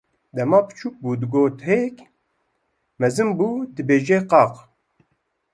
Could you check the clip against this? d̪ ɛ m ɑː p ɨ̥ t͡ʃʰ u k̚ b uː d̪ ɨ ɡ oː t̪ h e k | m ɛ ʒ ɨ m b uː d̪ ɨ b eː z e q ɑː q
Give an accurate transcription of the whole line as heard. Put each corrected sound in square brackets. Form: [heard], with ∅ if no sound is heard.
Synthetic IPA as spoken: d̪ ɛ m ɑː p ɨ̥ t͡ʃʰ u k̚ b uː d̪ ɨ ɡ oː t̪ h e k | m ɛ [z] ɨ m b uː d̪ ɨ b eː [ʒ] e q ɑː q